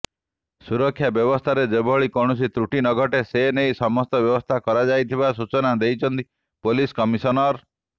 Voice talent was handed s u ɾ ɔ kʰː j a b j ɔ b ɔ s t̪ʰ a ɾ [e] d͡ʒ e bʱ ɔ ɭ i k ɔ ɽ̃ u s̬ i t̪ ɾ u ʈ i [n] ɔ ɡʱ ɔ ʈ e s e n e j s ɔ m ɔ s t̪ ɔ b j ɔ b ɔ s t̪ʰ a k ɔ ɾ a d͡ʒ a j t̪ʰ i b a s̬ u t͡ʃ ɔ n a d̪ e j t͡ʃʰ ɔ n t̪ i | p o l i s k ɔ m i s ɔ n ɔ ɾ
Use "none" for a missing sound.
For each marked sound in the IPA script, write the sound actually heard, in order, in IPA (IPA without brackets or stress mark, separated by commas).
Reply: e, n